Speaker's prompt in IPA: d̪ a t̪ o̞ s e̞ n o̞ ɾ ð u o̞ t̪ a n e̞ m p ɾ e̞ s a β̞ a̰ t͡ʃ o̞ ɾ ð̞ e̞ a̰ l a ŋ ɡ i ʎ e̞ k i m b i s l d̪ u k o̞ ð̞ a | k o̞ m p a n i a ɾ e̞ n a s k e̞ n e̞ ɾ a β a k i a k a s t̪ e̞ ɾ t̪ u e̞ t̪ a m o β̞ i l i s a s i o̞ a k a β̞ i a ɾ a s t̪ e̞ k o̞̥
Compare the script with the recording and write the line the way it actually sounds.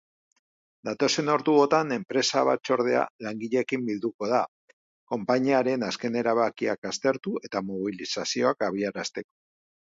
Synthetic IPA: d̪ a t̪ o̞ s e̞ n o̞ ɾ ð u o̞ t̪ a n e̞ m p ɾ e̞ s a β̞ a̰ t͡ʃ o̞ ɾ ð̞ e̞ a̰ l a ŋ ɡ i ʎ e̞ k i m b i l d̪ u k o̞ ð̞ a | k o̞ m p a ɲ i a ɾ e̞ n a s k e̞ n e̞ ɾ a β a k i a k a s t̪ e̞ ɾ t̪ u e̞ t̪ a m o β̞ i l i s a s i o̞ a k a β̞ i a ɾ a s t̪ e̞ k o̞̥